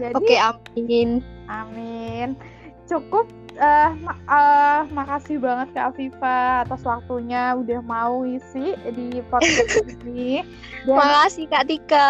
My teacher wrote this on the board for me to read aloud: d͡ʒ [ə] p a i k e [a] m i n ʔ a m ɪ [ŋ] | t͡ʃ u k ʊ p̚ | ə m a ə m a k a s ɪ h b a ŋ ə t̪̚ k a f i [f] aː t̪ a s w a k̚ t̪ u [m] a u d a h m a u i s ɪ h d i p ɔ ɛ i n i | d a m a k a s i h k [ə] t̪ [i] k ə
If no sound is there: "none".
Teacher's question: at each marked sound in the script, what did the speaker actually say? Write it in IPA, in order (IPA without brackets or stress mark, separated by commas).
a, a, n, f, ɲ, a, i